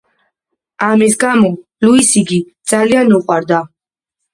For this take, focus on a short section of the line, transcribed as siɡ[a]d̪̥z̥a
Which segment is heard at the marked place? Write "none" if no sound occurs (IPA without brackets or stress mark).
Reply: i